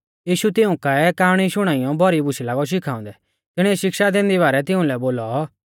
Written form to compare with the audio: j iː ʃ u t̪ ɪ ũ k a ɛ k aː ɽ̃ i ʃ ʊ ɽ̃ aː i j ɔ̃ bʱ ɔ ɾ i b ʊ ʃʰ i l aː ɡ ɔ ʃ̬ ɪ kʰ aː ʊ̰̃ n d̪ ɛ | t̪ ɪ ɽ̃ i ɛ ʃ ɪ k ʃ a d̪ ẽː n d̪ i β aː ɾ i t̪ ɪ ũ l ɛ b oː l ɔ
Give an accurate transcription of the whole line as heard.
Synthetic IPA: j iː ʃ u t̪ ɪ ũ k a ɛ k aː ɽ̃ i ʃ ʊ ɽ̃ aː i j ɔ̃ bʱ ɔ ɾ i b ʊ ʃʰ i l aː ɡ ɔ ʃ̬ ɪ kʰ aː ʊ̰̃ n d̪ ɛ | t̪ ɪ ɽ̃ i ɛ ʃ ɪ k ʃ a d̪ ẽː n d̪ i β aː ɾ ɛ t̪ ɪ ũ l ɛ b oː l ɔ